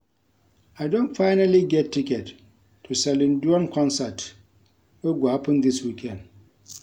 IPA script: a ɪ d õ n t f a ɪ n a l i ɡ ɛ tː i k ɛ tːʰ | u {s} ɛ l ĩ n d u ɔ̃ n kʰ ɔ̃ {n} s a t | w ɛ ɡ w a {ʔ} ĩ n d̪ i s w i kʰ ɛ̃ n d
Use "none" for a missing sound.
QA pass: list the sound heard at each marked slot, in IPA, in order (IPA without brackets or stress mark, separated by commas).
s, n, p